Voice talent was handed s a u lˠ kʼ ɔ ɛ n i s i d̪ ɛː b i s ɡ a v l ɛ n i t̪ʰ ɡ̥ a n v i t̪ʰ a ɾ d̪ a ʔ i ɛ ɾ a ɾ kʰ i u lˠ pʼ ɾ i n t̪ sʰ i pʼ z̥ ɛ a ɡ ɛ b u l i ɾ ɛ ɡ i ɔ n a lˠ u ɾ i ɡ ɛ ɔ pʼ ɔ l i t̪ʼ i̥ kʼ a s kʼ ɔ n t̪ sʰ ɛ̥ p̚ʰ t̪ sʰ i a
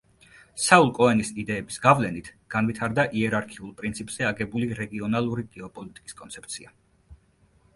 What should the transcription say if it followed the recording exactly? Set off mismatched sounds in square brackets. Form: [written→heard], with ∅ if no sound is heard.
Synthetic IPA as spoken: s a u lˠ kʼ ɔ ɛ n i s i d̪ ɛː b i s ɡ a v l ɛ n i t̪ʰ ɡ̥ a n v i t̪ʰ a ɾ d̪ a ʔ i ɛ ɾ a ɾ kʰ i u lˠ pʼ ɾ i n t̪ sʰ i pʼ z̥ ɛ a ɡ ɛ b u l i ɾ ɛ ɡ i ɔ n a lˠ u ɾ i ɡ ɛ ɔ pʼ ɔ l i t̪ʼ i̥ kʼ [a→i] s kʼ ɔ n t̪ sʰ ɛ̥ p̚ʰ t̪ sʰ i a